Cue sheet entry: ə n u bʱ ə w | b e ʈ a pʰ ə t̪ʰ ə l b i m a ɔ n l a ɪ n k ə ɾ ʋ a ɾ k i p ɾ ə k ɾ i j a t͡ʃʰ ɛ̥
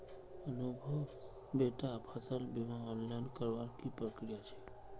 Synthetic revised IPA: ə n u bʱ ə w | b e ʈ a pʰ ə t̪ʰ ə l b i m a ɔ n l a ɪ n k ə ɾ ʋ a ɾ k i p ɾ ə k ɾ i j a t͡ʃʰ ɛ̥